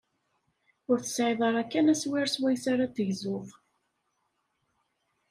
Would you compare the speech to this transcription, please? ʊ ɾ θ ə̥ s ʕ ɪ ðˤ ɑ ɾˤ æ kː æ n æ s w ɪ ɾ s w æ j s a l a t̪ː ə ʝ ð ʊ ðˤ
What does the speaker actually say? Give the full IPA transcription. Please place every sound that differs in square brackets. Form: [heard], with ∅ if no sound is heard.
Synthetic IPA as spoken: ʊ ɾ θ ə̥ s ʕ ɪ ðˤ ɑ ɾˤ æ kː æ n æ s w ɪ ɾ s w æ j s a [ɾ] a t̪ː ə ʝ [z] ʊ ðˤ